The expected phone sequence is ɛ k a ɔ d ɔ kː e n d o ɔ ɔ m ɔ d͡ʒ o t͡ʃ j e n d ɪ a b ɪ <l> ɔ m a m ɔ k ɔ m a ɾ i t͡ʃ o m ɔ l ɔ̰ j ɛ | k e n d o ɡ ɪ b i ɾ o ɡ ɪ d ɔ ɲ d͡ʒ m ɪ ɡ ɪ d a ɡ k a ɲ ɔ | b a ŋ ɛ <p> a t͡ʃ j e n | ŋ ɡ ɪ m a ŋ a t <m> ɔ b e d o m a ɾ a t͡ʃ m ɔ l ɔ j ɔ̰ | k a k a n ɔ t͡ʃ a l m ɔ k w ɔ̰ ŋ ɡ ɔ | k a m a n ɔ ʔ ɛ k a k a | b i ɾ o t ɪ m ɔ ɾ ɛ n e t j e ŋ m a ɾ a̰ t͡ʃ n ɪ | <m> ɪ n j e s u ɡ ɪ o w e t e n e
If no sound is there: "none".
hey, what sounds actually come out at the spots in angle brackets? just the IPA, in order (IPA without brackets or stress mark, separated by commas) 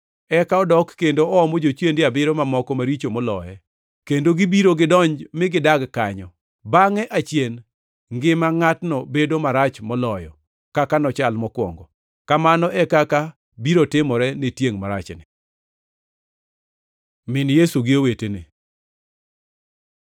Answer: ɾ, ʔ, n, m